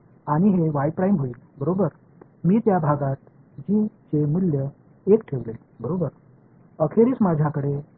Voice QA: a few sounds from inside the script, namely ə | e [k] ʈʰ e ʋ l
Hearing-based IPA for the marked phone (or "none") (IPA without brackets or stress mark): k